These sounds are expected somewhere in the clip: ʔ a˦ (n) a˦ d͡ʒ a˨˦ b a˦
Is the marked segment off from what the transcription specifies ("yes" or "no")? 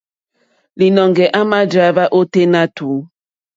yes